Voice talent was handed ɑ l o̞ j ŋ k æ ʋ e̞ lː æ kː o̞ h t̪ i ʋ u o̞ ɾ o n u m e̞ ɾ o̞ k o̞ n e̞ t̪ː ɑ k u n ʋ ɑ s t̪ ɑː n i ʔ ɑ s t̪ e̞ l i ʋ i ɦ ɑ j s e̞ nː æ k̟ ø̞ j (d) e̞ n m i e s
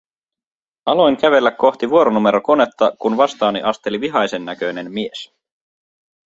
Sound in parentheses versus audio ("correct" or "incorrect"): incorrect